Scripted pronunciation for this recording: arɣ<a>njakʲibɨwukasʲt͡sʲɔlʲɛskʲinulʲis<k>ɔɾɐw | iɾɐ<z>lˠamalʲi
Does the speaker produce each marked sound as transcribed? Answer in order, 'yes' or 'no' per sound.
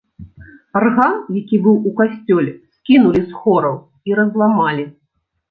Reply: yes, no, yes

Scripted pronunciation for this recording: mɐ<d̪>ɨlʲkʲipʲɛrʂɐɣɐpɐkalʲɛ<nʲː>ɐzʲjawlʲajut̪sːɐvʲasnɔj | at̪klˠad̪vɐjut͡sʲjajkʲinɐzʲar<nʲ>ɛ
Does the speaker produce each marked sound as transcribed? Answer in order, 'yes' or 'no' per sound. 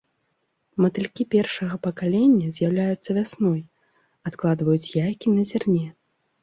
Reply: no, yes, yes

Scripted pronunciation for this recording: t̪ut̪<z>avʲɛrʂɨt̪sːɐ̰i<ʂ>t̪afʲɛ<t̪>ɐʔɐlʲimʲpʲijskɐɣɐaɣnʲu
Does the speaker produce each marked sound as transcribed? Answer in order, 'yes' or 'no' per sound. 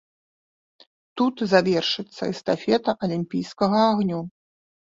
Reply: yes, no, yes

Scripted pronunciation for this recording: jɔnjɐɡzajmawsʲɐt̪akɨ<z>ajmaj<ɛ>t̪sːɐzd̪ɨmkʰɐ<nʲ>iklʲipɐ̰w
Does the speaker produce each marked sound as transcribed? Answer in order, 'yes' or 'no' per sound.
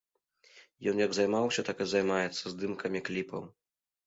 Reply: yes, yes, no

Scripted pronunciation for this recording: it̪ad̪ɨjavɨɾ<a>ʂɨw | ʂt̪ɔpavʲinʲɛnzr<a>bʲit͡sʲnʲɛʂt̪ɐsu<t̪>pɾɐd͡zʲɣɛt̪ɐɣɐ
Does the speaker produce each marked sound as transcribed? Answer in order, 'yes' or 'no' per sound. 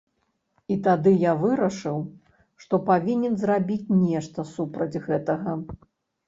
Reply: no, yes, no

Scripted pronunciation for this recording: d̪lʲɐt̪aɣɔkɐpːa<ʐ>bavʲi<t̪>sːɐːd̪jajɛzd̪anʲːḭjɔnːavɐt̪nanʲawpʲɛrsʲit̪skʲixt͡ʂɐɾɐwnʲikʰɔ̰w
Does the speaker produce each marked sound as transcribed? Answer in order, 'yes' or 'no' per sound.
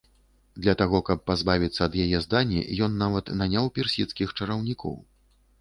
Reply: no, yes

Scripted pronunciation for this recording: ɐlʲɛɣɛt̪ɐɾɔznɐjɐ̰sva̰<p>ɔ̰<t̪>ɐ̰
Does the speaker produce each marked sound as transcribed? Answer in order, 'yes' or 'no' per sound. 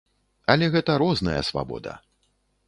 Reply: no, no

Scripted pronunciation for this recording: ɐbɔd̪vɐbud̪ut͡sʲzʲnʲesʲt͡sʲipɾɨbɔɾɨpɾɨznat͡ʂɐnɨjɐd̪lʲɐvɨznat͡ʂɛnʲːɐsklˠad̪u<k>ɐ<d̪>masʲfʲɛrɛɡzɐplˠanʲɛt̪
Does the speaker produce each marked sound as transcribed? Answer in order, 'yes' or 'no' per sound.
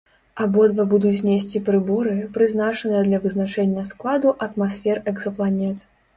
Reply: no, no

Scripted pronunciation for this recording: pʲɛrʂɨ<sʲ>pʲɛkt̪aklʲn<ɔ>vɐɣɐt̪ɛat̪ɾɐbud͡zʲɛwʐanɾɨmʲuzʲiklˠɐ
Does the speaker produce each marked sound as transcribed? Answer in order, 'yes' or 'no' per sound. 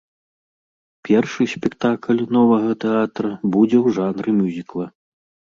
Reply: yes, yes

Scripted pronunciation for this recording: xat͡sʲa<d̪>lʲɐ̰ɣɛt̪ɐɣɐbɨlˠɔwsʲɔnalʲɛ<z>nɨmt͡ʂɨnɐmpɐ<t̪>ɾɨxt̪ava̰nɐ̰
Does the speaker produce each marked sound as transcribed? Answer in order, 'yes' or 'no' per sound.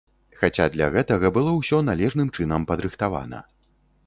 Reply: yes, no, no

